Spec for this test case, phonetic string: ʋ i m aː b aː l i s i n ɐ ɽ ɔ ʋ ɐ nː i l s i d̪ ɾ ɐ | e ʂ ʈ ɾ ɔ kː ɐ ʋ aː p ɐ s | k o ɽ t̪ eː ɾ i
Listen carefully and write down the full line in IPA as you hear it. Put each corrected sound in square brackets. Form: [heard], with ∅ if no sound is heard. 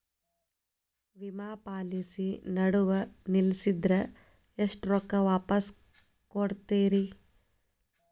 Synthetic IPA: ʋ i m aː [p] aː l i s i n ɐ ɽ [u] ʋ ɐ [n] i l s i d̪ ɾ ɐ | e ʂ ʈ ɾ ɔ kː ɐ ʋ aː p ɐ s | k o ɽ t̪ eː ɾ i